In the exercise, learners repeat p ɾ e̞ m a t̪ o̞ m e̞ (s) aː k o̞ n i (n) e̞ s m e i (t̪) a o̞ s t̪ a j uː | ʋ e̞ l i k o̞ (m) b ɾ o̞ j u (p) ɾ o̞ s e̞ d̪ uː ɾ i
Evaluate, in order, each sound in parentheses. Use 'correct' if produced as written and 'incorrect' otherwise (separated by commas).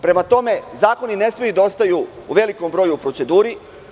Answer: incorrect, correct, incorrect, correct, correct